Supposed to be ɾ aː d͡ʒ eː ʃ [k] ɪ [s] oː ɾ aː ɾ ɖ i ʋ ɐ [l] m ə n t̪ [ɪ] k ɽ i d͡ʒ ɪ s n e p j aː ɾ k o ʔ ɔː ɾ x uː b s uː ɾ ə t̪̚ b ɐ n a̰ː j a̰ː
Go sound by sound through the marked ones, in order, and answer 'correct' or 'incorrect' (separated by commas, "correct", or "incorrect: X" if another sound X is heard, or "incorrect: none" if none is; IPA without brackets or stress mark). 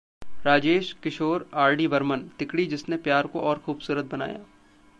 correct, incorrect: ʃ, incorrect: ɾ, correct